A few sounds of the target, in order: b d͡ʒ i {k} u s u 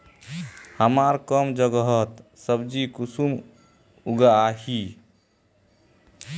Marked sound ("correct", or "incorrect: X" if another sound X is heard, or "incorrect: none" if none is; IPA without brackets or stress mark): correct